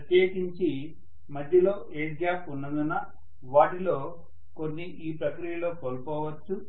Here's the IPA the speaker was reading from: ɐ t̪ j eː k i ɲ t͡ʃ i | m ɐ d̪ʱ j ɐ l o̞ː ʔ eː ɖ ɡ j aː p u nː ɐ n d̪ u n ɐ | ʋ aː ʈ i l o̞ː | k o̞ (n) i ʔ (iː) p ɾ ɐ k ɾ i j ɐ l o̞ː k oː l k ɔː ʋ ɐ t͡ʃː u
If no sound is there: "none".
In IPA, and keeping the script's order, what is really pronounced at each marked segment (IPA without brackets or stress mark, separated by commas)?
nː, iː